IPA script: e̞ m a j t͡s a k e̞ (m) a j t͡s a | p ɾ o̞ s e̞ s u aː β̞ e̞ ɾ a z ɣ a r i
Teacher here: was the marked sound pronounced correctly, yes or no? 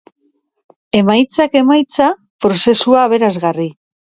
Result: yes